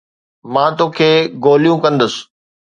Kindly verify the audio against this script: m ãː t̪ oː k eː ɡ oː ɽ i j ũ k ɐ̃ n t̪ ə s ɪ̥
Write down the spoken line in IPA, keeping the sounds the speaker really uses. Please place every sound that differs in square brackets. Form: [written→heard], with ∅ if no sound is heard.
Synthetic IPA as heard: m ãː t̪ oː [k→kʰ] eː ɡ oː [ɽ→l] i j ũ k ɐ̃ n [t̪→d̪] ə s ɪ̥